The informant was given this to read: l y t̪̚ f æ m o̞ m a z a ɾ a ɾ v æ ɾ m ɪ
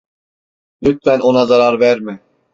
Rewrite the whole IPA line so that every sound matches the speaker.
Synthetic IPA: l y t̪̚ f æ n o̞ n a z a ɾ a ɾ v æ ɾ m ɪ